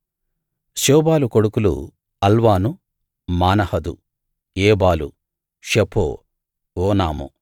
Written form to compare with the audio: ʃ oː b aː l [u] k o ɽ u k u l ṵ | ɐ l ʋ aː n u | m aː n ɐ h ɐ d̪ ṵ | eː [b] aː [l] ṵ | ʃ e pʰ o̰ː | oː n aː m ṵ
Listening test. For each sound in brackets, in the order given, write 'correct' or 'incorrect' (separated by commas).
correct, correct, correct